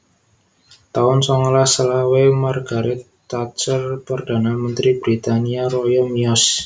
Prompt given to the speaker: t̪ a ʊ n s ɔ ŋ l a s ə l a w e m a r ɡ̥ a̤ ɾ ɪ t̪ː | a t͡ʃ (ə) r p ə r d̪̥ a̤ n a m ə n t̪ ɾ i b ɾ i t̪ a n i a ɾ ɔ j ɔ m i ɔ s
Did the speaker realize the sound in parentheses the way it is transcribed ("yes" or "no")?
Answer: yes